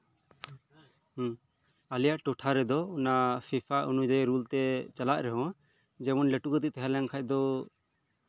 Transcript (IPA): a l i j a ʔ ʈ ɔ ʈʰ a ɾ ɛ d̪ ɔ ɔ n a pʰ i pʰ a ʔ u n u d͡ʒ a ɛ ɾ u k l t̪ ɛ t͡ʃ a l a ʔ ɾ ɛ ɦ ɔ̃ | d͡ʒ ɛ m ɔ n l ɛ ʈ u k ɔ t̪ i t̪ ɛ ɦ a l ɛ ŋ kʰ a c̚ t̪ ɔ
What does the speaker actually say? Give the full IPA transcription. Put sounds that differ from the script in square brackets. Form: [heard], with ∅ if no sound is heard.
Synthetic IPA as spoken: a l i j a ʔ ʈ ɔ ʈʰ a ɾ ɛ d̪ ɔ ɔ n a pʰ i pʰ a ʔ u n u d͡ʒ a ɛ ɾ u [∅] l t̪ ɛ t͡ʃ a l a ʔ ɾ ɛ ɦ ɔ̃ | d͡ʒ ɛ m ɔ n l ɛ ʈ u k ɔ t̪ i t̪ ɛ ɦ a l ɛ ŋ kʰ a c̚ [d̪] ɔ